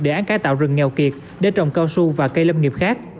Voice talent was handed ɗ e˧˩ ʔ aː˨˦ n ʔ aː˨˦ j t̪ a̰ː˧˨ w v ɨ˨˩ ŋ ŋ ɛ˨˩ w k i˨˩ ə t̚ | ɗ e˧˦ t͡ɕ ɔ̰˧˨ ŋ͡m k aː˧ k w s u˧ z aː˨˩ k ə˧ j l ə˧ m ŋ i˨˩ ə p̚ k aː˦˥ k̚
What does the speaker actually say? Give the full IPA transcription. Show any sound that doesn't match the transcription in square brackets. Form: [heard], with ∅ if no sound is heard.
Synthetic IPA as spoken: ɗ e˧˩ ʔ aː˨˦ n [k] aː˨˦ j t̪ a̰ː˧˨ w [z] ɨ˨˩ ŋ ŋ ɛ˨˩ w k i˨˩ ə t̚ | ɗ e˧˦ t͡ɕ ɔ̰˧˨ ŋ͡m k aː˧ [∅] w s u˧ [v] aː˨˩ k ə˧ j l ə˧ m ŋ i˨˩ ə p̚ [x] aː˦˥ k̚